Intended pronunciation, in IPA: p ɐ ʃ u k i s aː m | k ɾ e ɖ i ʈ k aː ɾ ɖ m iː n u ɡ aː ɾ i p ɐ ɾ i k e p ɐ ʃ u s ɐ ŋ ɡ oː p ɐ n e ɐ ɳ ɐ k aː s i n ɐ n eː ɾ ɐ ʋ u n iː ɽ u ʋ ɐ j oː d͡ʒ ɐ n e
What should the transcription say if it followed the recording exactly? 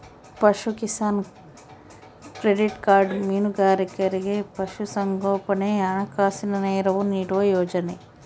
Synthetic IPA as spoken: p ɐ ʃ u k i s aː n | k ɾ e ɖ i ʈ k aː ɾ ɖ m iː n u ɡ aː ɾ i k ɐ ɾ i ɡ e p ɐ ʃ u s ɐ ŋ ɡ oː p ɐ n e ɐ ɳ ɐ k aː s i n ɐ n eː ɾ ɐ ʋ u n iː ɽ u ʋ ɐ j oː d͡ʒ ɐ n e